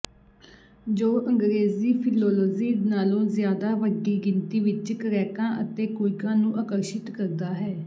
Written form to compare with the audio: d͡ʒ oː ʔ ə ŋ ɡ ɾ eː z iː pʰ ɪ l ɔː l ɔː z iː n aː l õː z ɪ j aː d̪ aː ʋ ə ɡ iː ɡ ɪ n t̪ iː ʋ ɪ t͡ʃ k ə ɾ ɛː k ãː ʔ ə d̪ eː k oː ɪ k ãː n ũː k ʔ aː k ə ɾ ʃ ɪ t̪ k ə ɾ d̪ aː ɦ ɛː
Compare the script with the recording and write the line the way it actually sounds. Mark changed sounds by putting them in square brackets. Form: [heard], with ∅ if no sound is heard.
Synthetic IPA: d͡ʒ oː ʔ ə ŋ ɡ ɾ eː z iː pʰ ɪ l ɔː l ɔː z iː n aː l õː z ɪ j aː d̪ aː ʋ ə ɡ iː ɡ ɪ n t̪ iː ʋ ɪ t͡ʃ k ə ɾ ɛː k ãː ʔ ə [t̪] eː k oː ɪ k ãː n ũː [∅] ʔ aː k ə ɾ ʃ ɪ t̪ k ə ɾ d̪ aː ɦ ɛː